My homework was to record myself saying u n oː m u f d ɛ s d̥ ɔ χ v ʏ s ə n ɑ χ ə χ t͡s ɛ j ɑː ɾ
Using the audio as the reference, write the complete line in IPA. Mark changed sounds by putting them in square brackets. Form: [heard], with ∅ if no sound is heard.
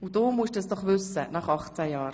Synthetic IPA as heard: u [d] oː m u [ʃ] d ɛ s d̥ ɔ χ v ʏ s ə n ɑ χ [ɑ] χ t͡s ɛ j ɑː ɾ